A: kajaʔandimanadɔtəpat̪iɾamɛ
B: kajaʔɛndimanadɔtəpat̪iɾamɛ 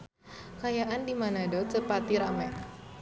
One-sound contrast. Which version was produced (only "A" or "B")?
A